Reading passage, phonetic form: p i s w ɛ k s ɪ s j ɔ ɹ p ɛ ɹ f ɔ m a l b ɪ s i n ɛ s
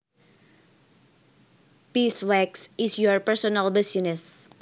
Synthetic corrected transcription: p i s w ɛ k s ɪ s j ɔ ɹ p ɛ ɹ s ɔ n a l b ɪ s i n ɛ s

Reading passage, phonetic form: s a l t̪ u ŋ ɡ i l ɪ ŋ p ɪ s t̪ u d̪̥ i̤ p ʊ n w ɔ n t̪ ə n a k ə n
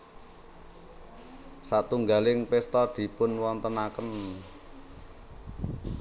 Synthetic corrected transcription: s a t̪ u ŋ ɡ a l ɪ ŋ p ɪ s t̪ ɔ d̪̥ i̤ p ʊ n w ɔ n t̪ ə n a k ə n

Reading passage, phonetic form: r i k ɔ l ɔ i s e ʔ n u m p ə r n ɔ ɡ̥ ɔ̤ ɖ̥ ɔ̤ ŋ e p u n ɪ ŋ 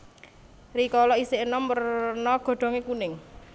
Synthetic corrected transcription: r i k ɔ l ɔ i s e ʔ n ɔ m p ə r n ɔ ɡ̥ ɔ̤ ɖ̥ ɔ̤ ŋ e k u n ɪ ŋ

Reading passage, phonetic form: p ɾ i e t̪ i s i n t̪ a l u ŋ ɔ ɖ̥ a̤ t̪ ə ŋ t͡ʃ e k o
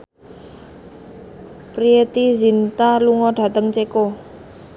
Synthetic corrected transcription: p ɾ i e t̪ i z i n t̪ a l u ŋ ɔ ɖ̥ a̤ t̪ ə ŋ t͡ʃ e k o

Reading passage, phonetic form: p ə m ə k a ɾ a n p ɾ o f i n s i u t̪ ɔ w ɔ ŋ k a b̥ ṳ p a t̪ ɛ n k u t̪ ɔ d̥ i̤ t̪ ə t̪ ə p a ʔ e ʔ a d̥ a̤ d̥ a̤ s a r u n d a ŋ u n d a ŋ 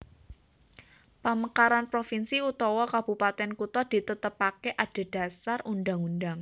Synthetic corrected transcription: p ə m ə k a ɾ a n p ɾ o f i n s i u t̪ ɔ w ɔ k a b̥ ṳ p a t̪ ɛ n k u t̪ ɔ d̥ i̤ t̪ ə t̪ ə p a k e ʔ a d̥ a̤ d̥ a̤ s a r u n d a ŋ u n d a ŋ

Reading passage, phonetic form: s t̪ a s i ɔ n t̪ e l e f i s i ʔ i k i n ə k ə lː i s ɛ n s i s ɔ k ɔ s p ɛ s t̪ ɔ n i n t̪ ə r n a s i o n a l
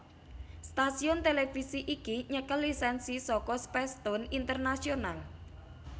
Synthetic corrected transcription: s t̪ a s i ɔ n t̪ e l e f i s i ʔ i k i ɲ ə k ə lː i s ɛ n s i s ɔ k ɔ s p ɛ s t̪ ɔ n i n t̪ ə r n a s i o n a l

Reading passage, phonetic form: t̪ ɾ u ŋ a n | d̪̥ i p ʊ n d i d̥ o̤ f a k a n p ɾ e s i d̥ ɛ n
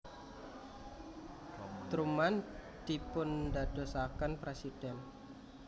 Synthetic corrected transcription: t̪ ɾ u m a n | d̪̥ i p ʊ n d a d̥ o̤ s a k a n p ɾ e s i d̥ ɛ n

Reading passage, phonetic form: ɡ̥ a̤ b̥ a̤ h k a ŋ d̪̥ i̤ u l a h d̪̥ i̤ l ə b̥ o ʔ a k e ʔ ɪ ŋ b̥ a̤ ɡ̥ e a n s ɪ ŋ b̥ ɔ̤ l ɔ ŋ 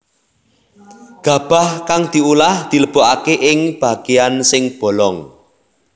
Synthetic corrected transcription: ɡ̥ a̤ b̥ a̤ h k a ŋ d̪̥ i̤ u l a h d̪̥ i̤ l ə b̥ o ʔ a k e ʔ ɪ ŋ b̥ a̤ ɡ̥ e a n s ɪ ŋ b̥ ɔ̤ l ɔ ŋ

